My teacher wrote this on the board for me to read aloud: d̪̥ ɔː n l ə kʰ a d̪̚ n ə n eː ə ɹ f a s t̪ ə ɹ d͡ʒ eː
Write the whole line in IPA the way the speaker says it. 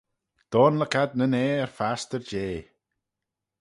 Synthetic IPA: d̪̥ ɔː n l ə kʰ a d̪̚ n ə n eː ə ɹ f a s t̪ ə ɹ d͡ʒ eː

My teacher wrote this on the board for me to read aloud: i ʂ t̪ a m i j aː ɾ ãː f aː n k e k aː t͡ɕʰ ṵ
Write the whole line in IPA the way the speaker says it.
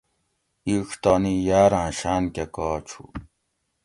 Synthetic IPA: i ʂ t̪ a n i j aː ɾ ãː ɕ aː n k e k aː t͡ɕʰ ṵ

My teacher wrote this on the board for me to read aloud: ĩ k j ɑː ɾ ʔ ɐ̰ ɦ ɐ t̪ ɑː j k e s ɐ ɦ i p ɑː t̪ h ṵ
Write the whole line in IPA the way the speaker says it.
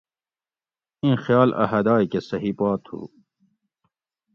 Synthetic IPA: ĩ x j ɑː l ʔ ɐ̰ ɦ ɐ d̪ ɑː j k e s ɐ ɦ i p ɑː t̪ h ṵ

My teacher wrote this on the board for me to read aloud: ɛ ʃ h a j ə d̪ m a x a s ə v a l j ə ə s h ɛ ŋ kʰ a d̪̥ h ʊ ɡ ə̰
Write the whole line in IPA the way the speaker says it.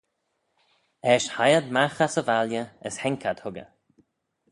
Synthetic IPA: ɛ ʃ h a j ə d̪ m a x a s ə v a l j ə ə s h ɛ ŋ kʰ a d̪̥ h ʊ ɡ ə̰

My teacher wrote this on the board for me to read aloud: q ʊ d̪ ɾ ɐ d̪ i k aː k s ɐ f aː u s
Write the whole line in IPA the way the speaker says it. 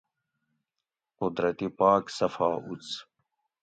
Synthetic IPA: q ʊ d̪ ɾ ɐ t̪ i p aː k s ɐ f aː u t͡s

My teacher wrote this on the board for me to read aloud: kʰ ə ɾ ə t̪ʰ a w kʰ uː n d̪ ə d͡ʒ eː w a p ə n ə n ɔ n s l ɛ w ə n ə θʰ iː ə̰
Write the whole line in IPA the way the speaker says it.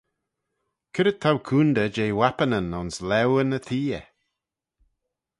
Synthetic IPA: kʰ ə ɾ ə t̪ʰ a w kʰ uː n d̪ ə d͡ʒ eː w a p ə n ə n ɔ n s l ɛ w ə n ə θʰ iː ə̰

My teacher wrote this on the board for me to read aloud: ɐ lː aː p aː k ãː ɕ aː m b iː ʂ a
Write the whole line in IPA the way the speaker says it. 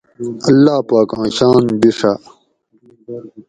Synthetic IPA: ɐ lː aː p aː k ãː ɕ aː n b i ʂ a

